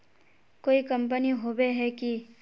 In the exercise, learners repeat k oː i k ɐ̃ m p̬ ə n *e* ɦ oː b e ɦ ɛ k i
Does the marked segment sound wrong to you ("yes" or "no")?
yes